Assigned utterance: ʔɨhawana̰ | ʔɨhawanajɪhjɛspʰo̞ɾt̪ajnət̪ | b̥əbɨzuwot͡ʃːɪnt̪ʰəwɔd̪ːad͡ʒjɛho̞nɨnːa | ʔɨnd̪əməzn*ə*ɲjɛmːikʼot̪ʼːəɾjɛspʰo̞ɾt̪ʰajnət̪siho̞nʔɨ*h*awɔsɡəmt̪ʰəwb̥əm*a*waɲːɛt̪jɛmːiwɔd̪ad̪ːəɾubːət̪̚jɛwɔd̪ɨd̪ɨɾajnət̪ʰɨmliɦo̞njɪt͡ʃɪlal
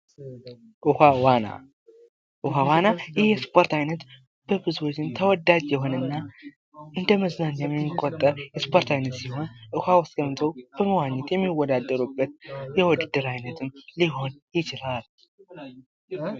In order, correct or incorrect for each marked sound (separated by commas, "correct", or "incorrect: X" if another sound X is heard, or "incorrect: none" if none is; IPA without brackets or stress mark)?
incorrect: a, correct, incorrect: ə